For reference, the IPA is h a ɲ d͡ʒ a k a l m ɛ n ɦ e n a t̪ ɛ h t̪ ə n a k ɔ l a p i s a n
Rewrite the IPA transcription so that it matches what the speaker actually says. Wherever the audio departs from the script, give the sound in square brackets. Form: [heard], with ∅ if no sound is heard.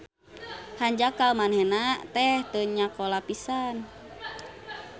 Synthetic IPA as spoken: h a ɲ d͡ʒ a k a l m [a] n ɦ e n a t̪ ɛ h t̪ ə [ɲ] a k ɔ l a p i s a n